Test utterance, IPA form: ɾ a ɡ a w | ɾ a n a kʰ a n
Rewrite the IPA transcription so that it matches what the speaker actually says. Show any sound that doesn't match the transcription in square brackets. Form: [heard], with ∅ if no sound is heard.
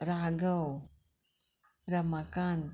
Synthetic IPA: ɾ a ɡ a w | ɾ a [m] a [k] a n